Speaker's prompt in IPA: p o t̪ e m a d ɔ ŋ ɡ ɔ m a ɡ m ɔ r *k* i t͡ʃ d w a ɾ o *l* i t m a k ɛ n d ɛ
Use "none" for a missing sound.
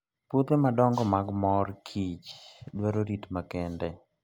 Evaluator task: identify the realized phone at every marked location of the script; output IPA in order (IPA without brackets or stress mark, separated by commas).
kʰ, ɾ